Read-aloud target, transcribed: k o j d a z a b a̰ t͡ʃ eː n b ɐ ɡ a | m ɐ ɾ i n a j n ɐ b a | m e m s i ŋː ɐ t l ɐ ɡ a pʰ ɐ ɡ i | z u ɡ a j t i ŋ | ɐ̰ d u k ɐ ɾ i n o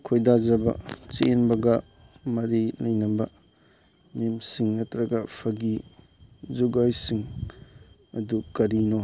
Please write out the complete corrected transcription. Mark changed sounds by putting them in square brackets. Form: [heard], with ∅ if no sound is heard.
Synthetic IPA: [kʰ] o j d a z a b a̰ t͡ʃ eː n b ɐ ɡ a | m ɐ ɾ i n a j n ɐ b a | m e m s i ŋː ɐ t [ɾ] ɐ ɡ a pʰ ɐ ɡ i | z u ɡ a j [s] i ŋ | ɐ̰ d u k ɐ ɾ i n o